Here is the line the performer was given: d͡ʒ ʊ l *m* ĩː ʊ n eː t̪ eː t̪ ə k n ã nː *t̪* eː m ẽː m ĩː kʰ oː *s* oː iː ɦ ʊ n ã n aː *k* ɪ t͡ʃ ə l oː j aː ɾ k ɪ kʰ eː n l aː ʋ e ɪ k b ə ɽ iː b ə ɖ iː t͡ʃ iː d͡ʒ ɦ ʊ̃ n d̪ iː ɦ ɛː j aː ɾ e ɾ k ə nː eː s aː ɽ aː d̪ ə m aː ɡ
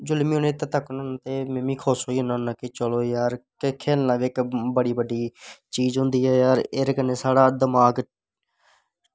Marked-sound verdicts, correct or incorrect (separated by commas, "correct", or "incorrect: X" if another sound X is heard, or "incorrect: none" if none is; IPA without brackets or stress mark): correct, correct, correct, correct